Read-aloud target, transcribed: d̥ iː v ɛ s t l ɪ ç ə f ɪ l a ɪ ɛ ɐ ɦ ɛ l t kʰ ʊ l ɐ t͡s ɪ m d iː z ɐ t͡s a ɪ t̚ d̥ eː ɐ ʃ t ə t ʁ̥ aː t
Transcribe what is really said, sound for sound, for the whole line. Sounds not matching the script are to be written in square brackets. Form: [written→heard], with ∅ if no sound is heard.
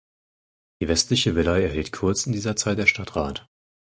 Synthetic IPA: d̥ iː v ɛ s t l ɪ ç ə [f→v] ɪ l a ɪ ɛ ɐ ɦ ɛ l t kʰ ʊ [l→∅] ɐ t͡s ɪ [m→n] d iː z ɐ t͡s a ɪ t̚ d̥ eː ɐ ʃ t [ə→a] t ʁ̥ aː t